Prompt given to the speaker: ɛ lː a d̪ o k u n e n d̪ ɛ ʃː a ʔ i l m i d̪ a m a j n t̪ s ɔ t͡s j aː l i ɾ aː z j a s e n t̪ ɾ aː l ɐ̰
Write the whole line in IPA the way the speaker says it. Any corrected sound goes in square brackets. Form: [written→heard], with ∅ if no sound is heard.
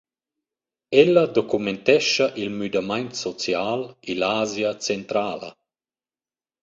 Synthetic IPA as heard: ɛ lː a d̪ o k u [n→m] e n [d̪→t̪] ɛ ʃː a ʔ i l m [i→y] d̪ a m a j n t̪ s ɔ t͡s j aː l i [ɾ→l] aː z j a [s→t͡s] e n t̪ ɾ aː l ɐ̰